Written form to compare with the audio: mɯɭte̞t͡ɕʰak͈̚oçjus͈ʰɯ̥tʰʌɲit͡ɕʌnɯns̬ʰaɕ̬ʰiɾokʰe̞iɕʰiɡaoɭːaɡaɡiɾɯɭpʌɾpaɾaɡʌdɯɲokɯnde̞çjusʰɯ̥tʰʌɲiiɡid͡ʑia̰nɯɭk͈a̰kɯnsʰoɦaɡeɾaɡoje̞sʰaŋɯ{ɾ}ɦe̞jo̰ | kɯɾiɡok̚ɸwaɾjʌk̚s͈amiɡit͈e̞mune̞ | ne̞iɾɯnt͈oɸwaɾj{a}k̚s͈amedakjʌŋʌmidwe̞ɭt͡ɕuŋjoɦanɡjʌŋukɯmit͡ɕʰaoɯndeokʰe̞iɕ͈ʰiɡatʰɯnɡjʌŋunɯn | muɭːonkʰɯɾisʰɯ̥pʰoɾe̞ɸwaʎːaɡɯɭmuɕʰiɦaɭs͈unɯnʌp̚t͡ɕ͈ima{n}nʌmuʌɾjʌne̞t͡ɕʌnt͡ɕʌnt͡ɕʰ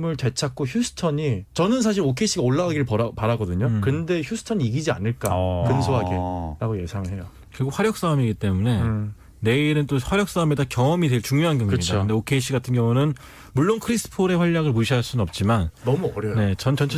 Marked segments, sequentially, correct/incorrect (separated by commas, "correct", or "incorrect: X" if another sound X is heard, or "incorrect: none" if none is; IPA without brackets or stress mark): incorrect: ɭ, incorrect: ʌ, correct